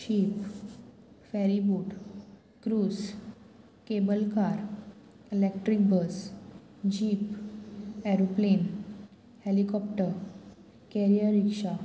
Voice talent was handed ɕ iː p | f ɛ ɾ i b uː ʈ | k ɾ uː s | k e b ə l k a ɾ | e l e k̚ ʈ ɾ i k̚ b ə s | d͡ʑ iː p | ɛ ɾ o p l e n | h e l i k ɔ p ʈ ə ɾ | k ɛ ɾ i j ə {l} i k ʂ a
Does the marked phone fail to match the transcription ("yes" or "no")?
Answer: yes